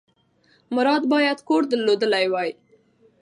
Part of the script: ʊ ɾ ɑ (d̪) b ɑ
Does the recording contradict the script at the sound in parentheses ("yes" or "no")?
no